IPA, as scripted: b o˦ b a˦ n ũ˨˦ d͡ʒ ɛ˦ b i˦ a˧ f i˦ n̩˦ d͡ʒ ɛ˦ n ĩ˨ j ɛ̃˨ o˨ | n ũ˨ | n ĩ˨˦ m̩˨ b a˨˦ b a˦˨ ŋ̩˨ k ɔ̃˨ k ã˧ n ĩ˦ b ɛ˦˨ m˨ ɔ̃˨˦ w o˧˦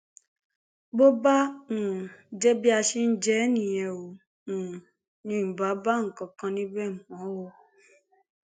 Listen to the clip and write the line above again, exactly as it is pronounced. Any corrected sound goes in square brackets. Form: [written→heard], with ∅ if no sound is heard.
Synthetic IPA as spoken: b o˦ b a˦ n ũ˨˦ d͡ʒ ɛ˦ b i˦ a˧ [f→ʃ] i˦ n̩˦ d͡ʒ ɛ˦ n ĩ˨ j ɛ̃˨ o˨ | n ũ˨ | n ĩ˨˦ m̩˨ b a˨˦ b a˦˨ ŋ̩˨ k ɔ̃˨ k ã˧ n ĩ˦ b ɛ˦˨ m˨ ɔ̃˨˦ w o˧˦